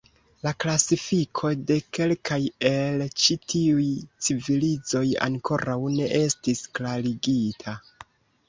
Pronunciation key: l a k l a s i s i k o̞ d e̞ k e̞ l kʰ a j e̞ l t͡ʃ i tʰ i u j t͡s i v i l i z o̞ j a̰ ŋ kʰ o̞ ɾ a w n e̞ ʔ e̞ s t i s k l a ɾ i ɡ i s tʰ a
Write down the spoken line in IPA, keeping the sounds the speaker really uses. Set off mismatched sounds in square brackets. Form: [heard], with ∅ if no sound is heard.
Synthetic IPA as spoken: l a k l a s i [f] i [kʰ] o̞ d e̞ k e̞ l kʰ a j e̞ l t͡ʃ i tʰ i u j t͡s i v i l i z o̞ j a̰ ŋ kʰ o̞ ɾ a w n e̞ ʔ e̞ s t i s k l a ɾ i ɡ i [∅] tʰ a

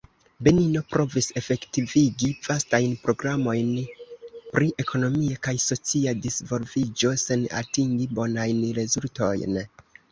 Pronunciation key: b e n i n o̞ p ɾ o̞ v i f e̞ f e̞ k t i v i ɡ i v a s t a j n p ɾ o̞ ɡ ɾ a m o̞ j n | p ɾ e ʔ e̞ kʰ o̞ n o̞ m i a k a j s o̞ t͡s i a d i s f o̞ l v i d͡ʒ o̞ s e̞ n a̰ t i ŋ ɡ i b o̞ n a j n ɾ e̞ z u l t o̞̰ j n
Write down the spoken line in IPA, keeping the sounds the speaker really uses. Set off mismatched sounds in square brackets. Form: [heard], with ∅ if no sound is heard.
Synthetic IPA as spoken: b e n i n o̞ p ɾ o̞ v i [s] e̞ f e̞ k t i v i ɡ i v a s t a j n p ɾ o̞ ɡ ɾ a m o̞ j n | p ɾ [i] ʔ e̞ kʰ o̞ n o̞ m i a k a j s o̞ t͡s i a d i s [v] o̞ l v i d͡ʒ o̞ s e̞ n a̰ t i ŋ ɡ i b o̞ n a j n ɾ e̞ z u l t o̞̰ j n

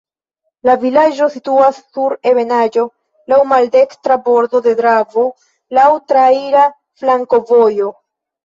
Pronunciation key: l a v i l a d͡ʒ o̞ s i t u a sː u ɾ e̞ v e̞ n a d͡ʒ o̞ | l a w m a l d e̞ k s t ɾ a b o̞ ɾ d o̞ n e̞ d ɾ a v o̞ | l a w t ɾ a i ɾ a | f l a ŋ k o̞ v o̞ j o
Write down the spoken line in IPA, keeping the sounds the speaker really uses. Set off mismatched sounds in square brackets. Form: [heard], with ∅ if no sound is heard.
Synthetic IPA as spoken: l a v i l a d͡ʒ o̞ s i t u a sː u ɾ e̞ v e̞ n a d͡ʒ o̞ | l a w m a l d e̞ k s t ɾ a b o̞ ɾ d o̞ [d] e̞ d ɾ a v o̞ | l a w t ɾ a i ɾ a | f l a ŋ k o̞ v o̞ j o

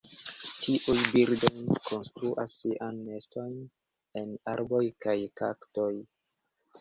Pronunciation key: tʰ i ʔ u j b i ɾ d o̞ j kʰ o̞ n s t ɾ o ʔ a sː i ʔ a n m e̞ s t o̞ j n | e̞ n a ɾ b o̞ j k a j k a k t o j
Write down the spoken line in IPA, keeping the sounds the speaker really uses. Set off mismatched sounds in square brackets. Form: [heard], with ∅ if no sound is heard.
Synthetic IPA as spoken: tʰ i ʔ u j b i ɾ d o̞ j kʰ o̞ n s t ɾ [u] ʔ a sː i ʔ a n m e̞ s t o̞ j n | e̞ n a ɾ b o̞ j k a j k a k t o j

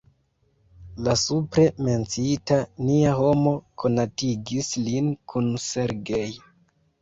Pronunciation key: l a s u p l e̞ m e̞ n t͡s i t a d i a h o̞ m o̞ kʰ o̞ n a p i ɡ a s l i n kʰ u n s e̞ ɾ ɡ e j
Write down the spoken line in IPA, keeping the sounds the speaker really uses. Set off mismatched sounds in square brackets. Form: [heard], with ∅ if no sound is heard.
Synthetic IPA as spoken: l a s u p [ɾ] e̞ m e̞ n t͡s i t a [n] i a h o̞ m o̞ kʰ o̞ n a [t] i ɡ [i] s l i n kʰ u n s e̞ ɾ ɡ e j

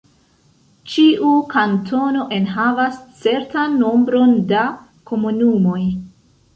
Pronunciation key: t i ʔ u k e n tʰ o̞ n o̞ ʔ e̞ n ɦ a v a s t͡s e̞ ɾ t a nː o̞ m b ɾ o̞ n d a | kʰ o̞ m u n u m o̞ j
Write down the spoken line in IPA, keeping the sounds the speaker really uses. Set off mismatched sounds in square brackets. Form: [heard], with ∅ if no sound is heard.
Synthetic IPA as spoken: [t͡ʃ] i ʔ u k [a] n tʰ o̞ n o̞ ʔ e̞ n ɦ a v a s t͡s e̞ ɾ t a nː o̞ m b ɾ o̞ n d a | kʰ o̞ m u n u m o̞ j

